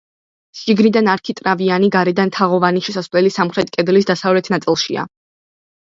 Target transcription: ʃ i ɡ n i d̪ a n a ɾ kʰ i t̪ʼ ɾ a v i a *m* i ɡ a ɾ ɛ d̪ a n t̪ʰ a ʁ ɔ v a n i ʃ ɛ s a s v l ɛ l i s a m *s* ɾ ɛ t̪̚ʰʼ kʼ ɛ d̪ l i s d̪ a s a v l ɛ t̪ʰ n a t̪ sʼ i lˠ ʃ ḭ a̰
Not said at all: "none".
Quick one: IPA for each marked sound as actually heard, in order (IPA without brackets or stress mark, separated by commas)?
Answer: n, χ